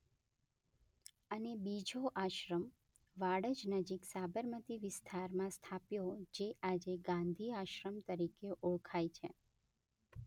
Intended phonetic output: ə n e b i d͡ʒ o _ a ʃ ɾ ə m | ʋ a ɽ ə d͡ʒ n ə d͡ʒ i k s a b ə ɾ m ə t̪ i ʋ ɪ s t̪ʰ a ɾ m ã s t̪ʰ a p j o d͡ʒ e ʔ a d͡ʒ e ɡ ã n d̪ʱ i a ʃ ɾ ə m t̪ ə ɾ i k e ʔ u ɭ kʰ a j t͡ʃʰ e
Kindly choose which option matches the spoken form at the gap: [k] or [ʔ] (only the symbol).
ʔ